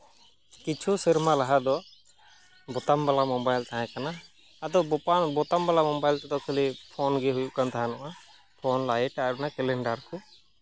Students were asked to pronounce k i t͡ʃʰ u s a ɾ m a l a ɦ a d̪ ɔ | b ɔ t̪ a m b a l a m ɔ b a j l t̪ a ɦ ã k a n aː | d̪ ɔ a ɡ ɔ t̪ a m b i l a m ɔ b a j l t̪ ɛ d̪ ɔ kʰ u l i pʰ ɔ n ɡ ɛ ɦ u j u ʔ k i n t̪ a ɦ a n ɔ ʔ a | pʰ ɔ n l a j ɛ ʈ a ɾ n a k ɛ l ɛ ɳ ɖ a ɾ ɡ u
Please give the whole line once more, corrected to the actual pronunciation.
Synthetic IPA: k i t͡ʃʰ u s i ɾ m a l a ɦ a d̪ ɔ | b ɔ t̪ a m b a l a m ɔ b a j l t̪ a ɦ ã k a n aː | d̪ ɔ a b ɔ t̪ a m b a l a m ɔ b a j l t̪ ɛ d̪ ɔ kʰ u l i pʰ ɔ n ɡ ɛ ɦ u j u ʔ k a n t̪ a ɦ a n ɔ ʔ a | pʰ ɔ n l a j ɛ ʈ a ɾ n a k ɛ l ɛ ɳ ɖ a ɾ k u